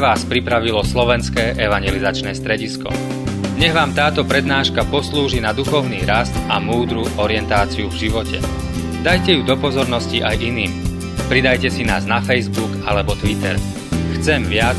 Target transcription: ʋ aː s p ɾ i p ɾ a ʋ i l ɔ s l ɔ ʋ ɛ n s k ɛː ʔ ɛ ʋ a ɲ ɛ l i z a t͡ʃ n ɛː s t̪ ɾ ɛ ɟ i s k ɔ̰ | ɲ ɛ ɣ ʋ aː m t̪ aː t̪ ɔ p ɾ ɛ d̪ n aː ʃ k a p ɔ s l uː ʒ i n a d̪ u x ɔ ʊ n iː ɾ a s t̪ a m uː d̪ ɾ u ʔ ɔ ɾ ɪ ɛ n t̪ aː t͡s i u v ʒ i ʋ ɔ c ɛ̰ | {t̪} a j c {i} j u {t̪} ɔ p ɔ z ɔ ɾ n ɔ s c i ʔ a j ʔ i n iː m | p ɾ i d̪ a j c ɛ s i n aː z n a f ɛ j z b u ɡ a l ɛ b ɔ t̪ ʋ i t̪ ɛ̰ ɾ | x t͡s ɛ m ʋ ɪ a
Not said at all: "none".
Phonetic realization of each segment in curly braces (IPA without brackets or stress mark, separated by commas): d̪, ɛ, d̪